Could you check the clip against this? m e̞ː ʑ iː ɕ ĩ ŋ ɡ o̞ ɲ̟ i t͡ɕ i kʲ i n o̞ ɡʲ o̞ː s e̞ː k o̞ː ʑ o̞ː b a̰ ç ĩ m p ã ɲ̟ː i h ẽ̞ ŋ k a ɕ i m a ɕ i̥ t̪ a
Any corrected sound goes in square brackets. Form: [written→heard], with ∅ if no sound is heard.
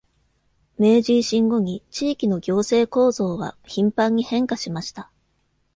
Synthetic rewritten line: m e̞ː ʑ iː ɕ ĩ ŋ ɡ o̞ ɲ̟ i t͡ɕ [i→iː] kʲ i n o̞ ɡʲ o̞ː s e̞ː k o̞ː [ʑ→z] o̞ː [b→β] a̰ ç ĩ m p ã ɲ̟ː i h ẽ̞ ŋ k a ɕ i m a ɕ i̥ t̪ a